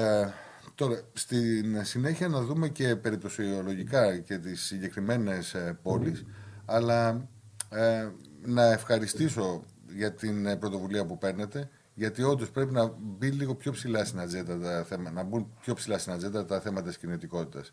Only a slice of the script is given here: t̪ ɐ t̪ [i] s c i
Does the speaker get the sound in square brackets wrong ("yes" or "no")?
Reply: no